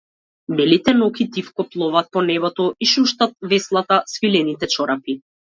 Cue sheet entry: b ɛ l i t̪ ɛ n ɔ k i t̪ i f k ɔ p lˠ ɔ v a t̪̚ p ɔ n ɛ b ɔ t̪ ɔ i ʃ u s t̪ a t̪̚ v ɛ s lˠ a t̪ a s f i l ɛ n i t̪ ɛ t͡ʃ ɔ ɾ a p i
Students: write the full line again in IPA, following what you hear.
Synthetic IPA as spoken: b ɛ l i t̪ ɛ n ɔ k i t̪ i f k ɔ p lˠ ɔ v a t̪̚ p ɔ n ɛ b ɔ t̪ ɔ i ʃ u ʃ t̪ a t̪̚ v ɛ s lˠ a t̪ a s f i l ɛ n i t̪ ɛ t͡ʃ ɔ ɾ a p i